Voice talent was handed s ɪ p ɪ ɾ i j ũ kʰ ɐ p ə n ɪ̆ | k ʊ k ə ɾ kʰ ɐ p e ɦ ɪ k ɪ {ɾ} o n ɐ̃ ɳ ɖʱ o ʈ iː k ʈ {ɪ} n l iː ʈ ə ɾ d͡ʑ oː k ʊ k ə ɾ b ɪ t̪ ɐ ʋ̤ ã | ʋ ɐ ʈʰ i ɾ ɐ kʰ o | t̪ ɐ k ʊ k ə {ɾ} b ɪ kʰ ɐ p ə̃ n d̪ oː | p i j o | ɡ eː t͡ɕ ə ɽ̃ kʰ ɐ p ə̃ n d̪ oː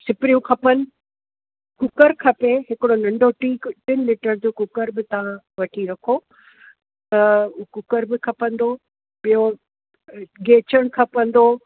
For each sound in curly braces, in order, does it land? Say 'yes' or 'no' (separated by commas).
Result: no, yes, yes